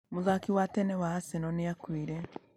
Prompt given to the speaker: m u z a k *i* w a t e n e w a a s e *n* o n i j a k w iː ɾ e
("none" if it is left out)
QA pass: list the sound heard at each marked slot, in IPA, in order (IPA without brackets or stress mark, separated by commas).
i, n